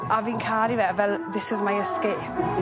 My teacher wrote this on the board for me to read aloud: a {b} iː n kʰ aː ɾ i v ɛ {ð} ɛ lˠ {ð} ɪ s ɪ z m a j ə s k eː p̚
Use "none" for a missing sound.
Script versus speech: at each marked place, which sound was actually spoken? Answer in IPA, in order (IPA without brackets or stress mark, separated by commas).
v, v, ð